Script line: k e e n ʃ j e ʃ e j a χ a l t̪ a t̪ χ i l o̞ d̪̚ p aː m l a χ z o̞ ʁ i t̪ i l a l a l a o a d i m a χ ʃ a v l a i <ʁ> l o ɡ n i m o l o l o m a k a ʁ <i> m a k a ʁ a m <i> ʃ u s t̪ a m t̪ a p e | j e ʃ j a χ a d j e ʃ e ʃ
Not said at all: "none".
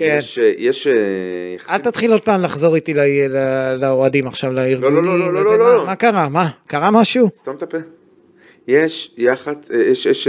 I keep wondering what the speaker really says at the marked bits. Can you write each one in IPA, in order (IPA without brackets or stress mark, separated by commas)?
ʁ, a, a